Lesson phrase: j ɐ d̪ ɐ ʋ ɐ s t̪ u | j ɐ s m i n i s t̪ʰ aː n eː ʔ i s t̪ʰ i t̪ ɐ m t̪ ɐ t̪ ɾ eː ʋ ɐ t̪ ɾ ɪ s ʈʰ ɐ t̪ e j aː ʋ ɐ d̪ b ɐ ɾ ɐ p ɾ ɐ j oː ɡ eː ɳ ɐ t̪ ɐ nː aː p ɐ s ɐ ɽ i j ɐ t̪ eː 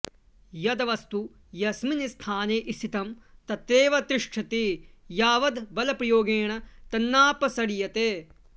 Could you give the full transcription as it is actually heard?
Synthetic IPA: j ɐ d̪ ɐ ʋ ɐ s t̪ u | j ɐ s m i n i s t̪ʰ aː n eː ʔ i s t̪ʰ i t̪ ɐ m t̪ ɐ t̪ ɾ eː ʋ ɐ t̪ ɾ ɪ ʂ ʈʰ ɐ t̪ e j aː ʋ ɐ d̪ b ɐ l ɐ p ɾ ɐ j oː ɡ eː ɳ ɐ t̪ ɐ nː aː p ɐ s ɐ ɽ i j ɐ t̪ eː